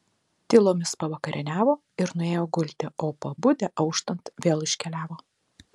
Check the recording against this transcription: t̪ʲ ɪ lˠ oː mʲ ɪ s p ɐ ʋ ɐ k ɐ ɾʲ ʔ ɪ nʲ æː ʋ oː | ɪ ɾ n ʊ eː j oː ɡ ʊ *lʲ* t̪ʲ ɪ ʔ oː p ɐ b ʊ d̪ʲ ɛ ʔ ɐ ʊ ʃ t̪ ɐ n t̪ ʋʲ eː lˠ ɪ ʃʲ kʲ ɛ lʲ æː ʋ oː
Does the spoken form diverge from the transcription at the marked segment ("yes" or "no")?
no